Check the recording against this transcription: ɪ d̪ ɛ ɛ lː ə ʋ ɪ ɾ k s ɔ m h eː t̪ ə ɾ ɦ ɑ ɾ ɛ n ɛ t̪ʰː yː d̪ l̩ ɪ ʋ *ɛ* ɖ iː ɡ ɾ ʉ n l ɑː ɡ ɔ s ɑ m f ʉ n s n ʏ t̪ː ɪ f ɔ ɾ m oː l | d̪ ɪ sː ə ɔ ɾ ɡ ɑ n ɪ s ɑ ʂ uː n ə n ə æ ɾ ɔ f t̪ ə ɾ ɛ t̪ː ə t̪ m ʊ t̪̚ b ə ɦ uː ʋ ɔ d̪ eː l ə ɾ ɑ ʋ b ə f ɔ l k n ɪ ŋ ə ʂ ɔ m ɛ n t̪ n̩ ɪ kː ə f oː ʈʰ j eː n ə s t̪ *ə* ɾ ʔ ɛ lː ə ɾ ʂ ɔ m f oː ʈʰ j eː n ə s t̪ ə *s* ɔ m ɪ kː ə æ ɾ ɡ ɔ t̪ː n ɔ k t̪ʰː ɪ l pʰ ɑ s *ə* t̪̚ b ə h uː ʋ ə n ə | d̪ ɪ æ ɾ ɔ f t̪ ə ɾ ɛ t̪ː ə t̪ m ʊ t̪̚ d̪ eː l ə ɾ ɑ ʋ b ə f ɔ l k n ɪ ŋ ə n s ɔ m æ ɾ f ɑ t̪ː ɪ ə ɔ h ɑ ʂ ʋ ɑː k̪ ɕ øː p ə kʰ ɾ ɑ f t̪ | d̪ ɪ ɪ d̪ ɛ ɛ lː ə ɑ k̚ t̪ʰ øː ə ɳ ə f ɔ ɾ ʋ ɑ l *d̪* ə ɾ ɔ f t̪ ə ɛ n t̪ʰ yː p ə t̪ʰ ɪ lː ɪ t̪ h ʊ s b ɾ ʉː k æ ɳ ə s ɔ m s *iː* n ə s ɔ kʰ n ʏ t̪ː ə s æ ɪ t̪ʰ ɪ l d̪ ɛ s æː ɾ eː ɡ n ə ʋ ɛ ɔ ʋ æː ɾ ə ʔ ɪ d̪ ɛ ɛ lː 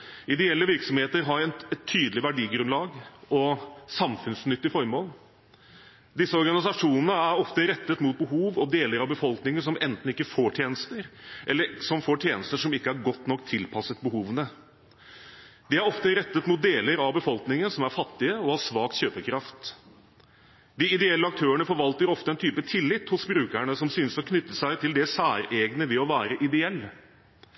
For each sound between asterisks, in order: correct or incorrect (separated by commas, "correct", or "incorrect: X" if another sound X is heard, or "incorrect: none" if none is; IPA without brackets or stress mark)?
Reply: incorrect: æ, correct, incorrect: ʂ, correct, incorrect: t̪, incorrect: yː